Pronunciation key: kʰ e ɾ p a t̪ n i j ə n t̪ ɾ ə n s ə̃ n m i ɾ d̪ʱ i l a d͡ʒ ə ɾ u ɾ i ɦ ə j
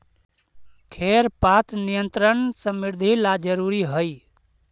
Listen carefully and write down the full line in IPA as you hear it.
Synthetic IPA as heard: kʰ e ɾ p a t̪ n i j ə n t̪ ɾ ə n s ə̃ m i ɾ d̪ʱ i l a d͡ʒ ə ɾ u ɾ i ɦ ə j